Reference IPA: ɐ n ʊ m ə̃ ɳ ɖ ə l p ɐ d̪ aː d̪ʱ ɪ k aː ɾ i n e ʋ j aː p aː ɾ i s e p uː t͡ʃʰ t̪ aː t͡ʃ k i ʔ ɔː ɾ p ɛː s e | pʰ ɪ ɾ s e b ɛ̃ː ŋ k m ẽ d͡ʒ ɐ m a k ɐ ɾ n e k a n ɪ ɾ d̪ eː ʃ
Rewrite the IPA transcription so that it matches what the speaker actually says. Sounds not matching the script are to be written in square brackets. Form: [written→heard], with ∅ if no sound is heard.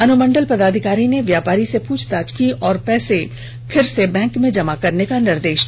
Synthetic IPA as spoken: ɐ n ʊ m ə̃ ɳ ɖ ə l p ɐ d̪ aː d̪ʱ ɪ k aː ɾ i n e ʋ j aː p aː ɾ i s e p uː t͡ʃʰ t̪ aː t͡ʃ k i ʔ ɔː ɾ p ɛː s e | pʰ ɪ ɾ s e b ɛ̃ː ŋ k m ẽ d͡ʒ ɐ m a k ɐ ɾ n e k a n ɪ ɾ d̪ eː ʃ